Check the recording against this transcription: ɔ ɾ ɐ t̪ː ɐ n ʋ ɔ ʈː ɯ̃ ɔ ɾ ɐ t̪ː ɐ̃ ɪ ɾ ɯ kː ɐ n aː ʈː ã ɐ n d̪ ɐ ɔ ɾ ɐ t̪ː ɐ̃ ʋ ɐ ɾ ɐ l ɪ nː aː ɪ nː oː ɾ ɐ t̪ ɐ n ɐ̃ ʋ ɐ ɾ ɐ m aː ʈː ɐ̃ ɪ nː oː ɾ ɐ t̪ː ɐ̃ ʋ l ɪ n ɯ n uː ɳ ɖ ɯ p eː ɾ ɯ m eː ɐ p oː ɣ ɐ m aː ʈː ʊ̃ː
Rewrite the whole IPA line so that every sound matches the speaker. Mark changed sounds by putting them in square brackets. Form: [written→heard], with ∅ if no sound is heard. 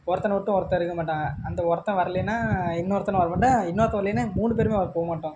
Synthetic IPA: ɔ ɾ ɐ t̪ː ɐ n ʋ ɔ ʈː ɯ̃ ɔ ɾ ɐ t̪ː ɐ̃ ɪ ɾ ɯ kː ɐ [n→m] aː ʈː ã ɐ n d̪ ɐ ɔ ɾ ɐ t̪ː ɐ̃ ʋ ɐ ɾ ɐ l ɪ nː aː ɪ nː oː ɾ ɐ t̪ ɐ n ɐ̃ ʋ ɐ ɾ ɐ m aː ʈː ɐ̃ ɪ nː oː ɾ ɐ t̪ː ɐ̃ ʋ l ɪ n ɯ [n→m] uː ɳ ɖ ɯ p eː ɾ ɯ m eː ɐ p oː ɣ ɐ m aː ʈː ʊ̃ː

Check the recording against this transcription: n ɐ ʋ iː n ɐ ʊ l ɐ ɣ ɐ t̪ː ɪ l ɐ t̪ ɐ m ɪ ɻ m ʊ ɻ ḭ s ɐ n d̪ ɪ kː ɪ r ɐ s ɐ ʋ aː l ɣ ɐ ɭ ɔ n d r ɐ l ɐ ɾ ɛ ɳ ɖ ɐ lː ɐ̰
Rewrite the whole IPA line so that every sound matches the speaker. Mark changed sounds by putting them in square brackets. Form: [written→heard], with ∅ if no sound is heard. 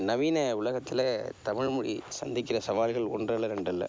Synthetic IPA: n ɐ ʋ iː n ɐ ʊ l ɐ ɣ ɐ t̪ː ɪ l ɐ t̪ ɐ m ɪ ɻ m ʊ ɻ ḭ s ɐ n d̪ ɪ kː ɪ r ɐ s ɐ ʋ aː l ɣ ɐ ɭ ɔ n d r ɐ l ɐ ɾ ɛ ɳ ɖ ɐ lː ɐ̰

